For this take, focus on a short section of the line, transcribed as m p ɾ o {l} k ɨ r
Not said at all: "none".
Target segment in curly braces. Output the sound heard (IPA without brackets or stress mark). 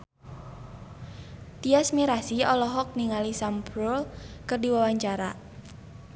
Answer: l